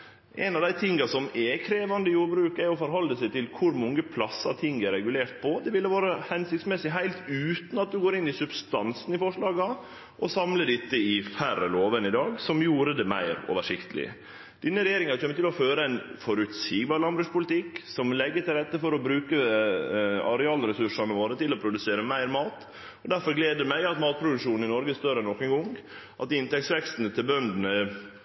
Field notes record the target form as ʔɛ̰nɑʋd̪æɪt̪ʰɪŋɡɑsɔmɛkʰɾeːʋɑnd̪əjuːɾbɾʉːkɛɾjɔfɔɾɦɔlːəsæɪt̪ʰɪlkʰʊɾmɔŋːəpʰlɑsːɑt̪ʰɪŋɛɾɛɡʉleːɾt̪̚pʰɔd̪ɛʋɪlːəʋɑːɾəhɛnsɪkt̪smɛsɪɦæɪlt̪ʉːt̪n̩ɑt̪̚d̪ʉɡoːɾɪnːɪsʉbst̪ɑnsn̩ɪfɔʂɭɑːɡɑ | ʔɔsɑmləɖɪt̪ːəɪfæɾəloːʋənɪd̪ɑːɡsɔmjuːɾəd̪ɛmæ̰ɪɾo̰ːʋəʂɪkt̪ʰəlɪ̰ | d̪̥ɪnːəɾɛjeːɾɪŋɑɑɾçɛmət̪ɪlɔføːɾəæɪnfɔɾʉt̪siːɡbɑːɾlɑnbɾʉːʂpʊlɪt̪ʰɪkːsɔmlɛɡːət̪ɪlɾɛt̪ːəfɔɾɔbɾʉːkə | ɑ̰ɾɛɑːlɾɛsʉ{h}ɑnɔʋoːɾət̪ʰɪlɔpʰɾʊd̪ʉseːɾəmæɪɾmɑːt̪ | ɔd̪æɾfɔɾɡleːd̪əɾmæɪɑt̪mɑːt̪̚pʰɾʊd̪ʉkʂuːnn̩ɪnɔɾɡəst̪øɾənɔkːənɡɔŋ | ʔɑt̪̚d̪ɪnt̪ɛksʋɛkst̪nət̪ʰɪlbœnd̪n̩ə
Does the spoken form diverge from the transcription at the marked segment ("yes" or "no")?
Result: yes